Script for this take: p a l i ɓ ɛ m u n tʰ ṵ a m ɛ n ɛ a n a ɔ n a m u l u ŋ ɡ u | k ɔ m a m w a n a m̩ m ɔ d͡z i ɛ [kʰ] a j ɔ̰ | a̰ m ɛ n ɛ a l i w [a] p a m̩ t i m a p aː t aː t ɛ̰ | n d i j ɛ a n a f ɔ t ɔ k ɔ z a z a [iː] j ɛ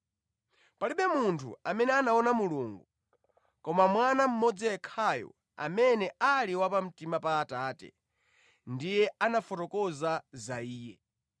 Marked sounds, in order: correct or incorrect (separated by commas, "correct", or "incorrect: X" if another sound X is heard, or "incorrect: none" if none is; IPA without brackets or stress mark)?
correct, correct, correct